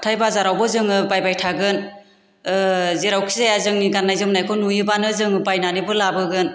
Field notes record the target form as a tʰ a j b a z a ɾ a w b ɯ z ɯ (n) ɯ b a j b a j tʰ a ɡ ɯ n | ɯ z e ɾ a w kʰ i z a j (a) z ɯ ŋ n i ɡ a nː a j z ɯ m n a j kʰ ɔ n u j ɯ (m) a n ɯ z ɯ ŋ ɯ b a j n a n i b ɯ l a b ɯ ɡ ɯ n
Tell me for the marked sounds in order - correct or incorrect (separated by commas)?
incorrect, correct, incorrect